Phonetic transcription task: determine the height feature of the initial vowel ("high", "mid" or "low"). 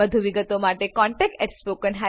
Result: mid